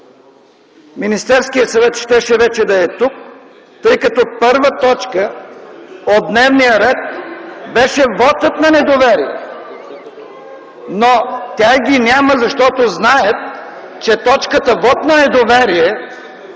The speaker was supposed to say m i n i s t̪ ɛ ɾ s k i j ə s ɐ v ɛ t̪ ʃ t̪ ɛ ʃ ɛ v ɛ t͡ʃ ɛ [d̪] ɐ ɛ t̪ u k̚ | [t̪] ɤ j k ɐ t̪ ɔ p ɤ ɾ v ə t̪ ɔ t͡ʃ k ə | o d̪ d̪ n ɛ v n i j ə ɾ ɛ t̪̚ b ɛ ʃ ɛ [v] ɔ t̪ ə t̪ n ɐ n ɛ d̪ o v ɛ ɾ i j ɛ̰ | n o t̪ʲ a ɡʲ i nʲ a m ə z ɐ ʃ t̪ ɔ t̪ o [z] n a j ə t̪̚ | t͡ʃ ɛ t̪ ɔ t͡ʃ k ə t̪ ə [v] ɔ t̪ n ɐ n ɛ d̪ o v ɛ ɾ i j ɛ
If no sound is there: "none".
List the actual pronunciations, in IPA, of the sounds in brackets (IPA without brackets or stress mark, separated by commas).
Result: d̪, t̪, v, z, v